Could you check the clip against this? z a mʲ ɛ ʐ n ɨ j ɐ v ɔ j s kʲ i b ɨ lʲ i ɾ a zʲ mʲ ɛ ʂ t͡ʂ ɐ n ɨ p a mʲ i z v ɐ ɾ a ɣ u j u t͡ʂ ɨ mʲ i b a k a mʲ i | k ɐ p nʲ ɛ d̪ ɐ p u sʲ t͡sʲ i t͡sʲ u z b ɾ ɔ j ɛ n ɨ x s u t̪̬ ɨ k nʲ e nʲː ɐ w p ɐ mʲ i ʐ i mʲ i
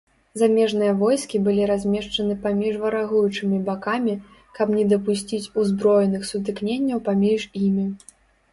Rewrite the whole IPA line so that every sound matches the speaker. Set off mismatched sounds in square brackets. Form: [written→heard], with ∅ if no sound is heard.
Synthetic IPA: z a mʲ ɛ ʐ n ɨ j ɐ v ɔ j s kʲ i b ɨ lʲ i ɾ a zʲ mʲ ɛ ʂ t͡ʂ ɐ n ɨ p a mʲ i [z→ʐ] v ɐ ɾ a ɣ u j u t͡ʂ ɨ mʲ i b a k a mʲ i | k ɐ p nʲ ɛ d̪ ɐ p u sʲ t͡sʲ i t͡sʲ u z b ɾ ɔ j ɛ n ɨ x s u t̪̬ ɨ k nʲ e nʲː ɐ w p [ɐ→a] mʲ i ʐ i mʲ i